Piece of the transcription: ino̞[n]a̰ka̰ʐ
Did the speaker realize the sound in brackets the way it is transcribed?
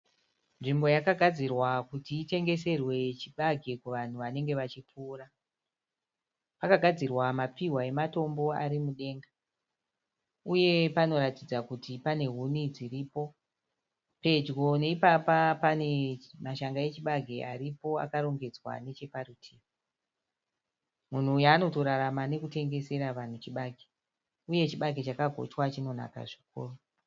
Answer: yes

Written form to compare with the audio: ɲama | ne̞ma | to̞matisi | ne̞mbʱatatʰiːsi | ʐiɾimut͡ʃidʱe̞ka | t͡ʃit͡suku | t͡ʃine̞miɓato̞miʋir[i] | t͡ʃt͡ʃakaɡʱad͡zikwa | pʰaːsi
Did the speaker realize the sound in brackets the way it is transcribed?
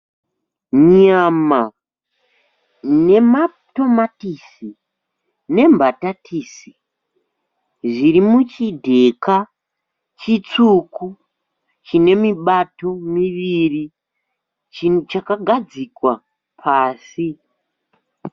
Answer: yes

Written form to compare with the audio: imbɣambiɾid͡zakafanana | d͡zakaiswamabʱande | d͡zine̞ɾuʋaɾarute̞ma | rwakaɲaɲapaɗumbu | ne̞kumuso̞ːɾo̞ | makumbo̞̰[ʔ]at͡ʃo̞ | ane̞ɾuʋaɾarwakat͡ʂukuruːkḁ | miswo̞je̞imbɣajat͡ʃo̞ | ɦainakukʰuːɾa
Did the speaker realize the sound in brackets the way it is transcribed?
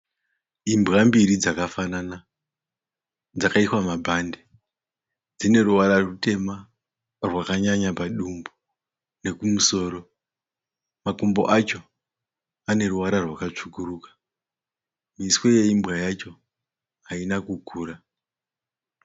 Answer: yes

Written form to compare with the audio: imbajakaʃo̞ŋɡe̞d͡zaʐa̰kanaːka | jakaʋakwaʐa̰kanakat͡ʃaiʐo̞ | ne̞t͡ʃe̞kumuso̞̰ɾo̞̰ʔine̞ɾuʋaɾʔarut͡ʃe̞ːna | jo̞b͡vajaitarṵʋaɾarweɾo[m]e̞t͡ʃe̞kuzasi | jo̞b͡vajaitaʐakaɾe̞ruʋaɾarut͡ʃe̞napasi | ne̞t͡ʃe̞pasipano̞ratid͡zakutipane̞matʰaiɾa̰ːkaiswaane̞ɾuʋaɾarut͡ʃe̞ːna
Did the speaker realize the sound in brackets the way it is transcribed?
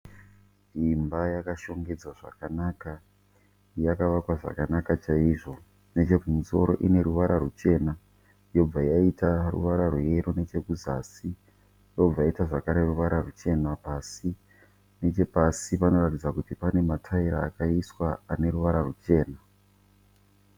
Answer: no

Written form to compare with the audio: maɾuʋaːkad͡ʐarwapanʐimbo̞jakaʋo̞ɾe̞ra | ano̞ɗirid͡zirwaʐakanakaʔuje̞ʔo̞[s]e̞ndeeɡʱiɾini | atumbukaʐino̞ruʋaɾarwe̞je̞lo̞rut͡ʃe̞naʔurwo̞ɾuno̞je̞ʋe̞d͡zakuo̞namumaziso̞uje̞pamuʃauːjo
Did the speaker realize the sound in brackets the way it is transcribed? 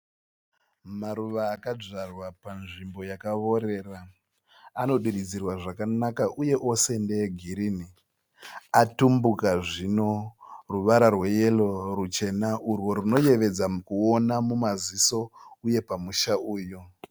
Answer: yes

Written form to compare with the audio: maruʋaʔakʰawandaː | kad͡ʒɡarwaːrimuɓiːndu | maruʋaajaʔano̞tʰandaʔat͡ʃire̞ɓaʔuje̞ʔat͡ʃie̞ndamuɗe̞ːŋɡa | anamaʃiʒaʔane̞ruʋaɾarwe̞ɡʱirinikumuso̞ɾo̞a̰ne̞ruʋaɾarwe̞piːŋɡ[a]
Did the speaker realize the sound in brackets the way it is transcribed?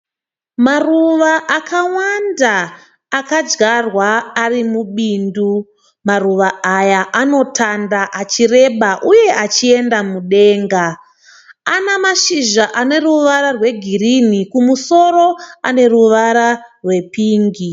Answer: no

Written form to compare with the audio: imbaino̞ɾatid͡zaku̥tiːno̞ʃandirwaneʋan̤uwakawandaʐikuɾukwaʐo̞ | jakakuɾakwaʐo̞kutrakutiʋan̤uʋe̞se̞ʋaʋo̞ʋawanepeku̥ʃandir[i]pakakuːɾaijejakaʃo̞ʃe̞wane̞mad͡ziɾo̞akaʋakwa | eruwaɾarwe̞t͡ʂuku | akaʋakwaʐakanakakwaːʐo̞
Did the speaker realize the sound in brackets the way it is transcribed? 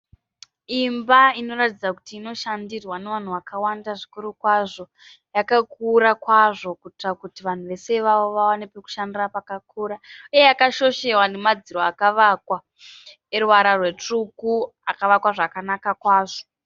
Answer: no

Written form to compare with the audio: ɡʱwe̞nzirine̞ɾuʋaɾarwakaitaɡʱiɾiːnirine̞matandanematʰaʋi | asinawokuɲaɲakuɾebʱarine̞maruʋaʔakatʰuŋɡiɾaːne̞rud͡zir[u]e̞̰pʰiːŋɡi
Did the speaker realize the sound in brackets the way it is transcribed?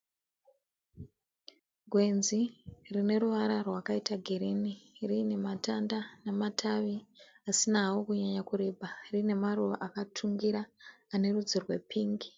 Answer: no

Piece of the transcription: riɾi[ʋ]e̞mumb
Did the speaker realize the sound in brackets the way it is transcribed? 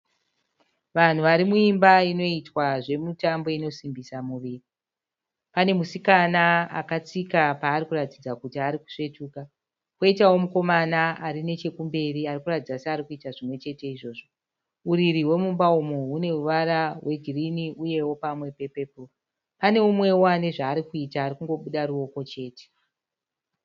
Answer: no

